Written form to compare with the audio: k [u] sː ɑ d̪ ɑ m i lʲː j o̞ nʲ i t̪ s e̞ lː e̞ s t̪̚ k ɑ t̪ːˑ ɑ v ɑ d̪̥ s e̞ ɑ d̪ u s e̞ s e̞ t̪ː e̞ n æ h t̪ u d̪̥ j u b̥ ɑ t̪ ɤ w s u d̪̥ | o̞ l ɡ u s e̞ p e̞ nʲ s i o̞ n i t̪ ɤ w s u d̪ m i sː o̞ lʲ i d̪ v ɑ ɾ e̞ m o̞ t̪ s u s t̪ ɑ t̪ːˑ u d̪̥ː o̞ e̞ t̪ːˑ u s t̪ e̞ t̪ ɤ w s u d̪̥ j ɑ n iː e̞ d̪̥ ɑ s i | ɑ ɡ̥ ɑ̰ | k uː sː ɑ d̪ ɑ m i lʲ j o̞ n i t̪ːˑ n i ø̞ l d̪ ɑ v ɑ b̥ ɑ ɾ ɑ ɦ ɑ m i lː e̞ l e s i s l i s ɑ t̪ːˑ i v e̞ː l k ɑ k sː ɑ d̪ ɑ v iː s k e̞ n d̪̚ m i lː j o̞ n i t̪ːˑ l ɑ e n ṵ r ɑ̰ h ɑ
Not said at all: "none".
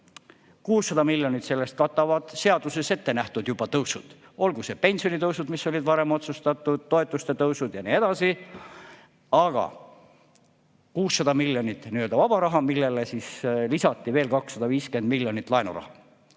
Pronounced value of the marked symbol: uː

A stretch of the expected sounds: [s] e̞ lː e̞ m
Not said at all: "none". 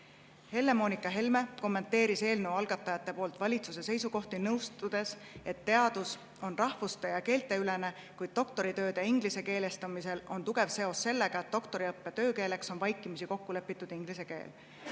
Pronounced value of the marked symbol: h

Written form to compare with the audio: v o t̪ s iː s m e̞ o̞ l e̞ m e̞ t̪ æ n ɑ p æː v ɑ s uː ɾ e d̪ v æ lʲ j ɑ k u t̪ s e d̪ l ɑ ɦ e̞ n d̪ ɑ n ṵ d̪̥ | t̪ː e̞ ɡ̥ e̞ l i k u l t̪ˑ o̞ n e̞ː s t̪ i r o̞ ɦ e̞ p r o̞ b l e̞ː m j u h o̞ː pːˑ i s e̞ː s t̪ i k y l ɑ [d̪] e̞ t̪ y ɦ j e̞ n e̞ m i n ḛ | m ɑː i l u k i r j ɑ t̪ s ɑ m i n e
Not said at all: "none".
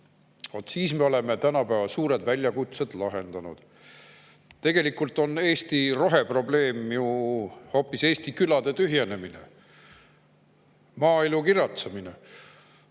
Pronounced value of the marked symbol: d̪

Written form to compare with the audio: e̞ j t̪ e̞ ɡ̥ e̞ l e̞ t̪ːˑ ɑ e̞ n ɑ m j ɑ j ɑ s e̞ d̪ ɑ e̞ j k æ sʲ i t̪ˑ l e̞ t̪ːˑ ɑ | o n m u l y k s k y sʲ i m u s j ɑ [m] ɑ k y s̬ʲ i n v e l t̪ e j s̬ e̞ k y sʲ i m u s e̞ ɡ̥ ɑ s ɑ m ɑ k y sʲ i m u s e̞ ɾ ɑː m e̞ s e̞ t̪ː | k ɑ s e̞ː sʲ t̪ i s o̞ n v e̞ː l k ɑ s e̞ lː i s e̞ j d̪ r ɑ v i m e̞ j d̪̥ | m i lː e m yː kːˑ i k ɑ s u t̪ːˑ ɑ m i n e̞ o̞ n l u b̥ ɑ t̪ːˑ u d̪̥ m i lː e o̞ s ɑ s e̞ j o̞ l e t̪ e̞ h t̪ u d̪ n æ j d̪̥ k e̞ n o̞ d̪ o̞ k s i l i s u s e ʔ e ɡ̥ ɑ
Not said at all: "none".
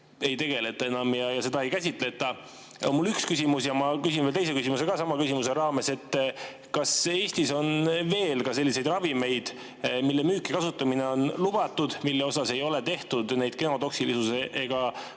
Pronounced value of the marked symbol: m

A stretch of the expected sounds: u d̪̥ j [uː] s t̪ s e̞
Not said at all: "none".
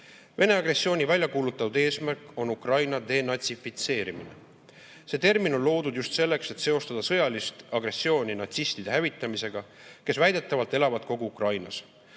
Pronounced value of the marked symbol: u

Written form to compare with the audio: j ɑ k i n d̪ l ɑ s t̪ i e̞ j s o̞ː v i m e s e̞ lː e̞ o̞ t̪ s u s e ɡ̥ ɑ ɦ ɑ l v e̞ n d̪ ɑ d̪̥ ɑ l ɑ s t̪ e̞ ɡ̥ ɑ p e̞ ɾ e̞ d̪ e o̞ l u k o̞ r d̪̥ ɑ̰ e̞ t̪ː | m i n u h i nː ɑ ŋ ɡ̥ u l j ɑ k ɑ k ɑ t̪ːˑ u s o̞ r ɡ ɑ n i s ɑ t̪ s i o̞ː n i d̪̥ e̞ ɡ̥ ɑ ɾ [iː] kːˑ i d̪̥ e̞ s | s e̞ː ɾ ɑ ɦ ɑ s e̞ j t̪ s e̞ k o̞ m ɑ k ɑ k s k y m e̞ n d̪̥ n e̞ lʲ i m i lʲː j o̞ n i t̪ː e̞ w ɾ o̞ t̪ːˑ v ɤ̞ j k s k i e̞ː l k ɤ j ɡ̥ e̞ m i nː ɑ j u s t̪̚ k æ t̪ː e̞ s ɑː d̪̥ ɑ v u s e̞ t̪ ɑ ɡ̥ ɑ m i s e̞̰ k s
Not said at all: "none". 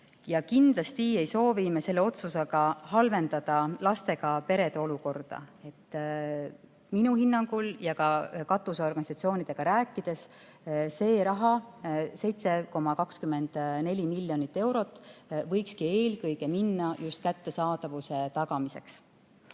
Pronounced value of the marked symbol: æː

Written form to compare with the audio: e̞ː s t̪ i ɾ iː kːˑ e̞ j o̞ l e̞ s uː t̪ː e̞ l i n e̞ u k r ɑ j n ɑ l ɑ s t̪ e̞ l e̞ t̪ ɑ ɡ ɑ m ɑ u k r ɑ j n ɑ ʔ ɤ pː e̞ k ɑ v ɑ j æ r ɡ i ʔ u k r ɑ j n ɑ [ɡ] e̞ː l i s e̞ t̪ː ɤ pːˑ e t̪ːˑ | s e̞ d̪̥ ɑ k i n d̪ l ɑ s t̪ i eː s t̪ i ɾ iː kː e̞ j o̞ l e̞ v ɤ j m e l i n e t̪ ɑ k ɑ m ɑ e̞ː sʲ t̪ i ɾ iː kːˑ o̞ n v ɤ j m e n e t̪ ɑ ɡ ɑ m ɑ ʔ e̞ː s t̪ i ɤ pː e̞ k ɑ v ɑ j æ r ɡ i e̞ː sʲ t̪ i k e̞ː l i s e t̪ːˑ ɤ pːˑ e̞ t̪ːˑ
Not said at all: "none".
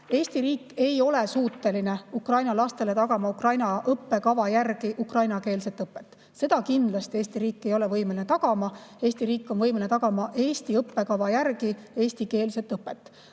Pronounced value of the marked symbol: k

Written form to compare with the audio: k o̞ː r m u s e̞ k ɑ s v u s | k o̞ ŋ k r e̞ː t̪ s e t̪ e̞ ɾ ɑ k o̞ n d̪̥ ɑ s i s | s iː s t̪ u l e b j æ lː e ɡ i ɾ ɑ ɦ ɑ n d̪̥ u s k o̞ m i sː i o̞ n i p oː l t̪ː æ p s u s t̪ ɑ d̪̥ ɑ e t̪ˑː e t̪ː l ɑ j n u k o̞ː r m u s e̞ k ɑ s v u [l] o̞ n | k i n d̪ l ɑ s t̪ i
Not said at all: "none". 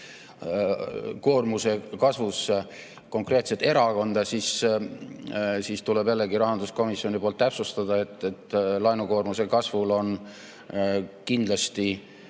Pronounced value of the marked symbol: l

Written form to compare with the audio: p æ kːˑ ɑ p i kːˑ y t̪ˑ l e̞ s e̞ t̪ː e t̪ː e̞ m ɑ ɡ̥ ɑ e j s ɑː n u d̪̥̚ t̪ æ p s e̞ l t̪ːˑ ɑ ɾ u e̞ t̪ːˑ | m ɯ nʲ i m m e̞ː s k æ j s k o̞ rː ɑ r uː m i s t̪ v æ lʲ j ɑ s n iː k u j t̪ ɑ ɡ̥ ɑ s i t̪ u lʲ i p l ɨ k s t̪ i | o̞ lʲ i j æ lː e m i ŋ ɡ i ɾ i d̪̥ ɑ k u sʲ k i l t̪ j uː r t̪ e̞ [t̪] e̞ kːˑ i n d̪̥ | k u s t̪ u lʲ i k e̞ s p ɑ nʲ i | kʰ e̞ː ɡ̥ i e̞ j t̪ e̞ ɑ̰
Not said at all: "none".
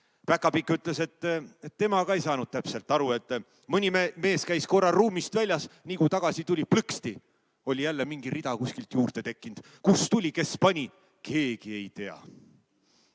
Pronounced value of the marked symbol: t̪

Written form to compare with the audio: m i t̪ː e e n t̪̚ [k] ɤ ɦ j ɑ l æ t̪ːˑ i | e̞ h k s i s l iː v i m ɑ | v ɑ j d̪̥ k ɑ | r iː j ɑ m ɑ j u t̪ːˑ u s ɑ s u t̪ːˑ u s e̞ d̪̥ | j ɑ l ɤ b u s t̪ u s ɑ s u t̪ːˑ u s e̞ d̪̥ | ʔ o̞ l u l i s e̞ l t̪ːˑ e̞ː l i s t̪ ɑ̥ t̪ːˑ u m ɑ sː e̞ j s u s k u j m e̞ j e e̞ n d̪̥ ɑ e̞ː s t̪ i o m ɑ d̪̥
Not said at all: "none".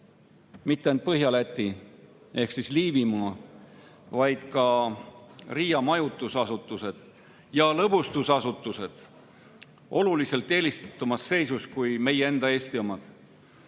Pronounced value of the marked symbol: p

